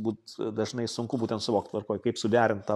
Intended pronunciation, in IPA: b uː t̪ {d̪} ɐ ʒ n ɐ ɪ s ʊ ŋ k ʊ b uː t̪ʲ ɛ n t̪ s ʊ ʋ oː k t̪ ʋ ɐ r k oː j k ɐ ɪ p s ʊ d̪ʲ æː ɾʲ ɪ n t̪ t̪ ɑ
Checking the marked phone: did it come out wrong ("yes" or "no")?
no